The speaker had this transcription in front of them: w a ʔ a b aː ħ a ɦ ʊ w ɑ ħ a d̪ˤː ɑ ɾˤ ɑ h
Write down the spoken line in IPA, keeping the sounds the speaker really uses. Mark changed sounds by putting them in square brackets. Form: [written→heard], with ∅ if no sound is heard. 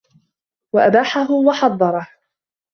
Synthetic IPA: w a ʔ a b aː ħ a ɦ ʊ w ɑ ħ [a→ɑ] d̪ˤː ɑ ɾˤ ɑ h